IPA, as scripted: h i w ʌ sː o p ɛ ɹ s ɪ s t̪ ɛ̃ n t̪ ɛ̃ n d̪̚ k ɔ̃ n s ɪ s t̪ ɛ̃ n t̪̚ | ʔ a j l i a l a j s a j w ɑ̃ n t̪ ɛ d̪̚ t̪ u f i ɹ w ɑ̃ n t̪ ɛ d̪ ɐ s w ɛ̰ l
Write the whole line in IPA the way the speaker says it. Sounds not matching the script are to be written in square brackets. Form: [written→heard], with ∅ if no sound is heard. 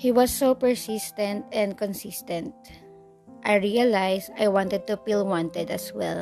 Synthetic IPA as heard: h i w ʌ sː o p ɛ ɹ s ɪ s t̪ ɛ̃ n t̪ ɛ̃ n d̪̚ k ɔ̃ n s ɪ s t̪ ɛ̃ n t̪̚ | ʔ a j [l→ɹ] i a l a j s a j w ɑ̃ n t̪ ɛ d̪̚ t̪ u f i [ɹ→l] w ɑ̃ n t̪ ɛ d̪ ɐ s w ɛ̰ l